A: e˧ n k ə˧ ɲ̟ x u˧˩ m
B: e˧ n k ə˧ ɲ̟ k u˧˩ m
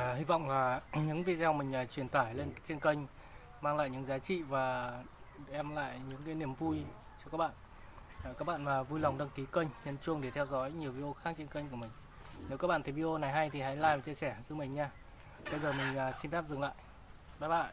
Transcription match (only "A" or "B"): B